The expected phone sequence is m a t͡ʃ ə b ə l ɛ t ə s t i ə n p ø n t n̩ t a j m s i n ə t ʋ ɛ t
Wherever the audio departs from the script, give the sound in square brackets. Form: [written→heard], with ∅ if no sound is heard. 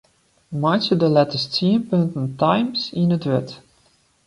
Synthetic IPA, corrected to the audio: m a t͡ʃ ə [b→d] ə l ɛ t ə s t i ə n p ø n t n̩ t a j m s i n ə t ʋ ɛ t